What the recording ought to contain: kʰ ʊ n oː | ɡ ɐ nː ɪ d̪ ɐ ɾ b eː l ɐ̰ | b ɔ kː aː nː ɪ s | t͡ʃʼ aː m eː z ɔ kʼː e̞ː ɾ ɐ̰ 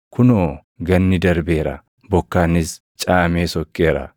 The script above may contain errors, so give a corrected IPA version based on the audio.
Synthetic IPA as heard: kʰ ʊ n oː | ɡ ɐ nː ɪ d̪ ɐ ɾ b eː ɾ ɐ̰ | b ɔ kː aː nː ɪ s | t͡ʃʼ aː m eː s ɔ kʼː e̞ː ɾ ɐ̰